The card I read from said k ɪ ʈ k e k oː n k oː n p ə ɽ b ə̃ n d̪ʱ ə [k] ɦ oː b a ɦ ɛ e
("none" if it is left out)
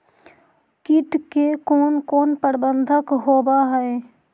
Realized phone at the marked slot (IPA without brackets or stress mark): k